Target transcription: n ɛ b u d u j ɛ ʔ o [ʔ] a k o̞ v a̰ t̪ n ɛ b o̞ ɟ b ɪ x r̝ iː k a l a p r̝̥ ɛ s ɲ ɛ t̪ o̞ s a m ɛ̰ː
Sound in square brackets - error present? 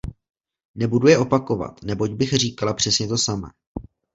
yes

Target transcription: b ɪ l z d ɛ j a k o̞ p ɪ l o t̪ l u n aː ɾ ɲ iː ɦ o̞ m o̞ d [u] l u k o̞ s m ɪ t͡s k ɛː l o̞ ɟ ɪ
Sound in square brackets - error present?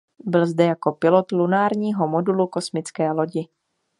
no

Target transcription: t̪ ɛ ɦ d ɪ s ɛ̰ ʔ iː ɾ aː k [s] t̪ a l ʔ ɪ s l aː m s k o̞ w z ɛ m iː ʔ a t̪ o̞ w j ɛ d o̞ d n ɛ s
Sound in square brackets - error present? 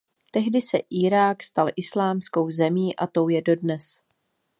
no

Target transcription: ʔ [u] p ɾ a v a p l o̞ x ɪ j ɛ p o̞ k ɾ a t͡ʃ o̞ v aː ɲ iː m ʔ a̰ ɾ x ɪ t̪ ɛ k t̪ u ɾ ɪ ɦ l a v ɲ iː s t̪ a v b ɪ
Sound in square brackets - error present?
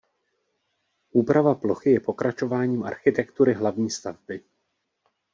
yes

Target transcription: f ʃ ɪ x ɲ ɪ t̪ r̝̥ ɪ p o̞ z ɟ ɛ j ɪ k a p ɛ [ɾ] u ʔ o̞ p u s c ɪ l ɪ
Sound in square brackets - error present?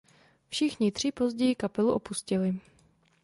yes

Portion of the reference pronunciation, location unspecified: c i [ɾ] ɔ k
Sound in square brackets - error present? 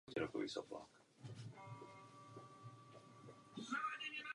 no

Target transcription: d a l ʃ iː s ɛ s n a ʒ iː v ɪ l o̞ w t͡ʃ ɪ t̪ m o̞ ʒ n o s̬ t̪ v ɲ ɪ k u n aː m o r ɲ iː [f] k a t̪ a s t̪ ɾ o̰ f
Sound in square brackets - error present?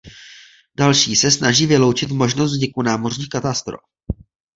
yes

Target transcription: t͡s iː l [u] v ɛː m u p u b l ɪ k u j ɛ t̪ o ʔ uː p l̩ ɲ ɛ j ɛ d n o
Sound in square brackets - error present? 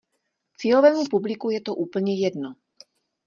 yes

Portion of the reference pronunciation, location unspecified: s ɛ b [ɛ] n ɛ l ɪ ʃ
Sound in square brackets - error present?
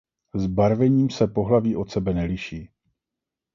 no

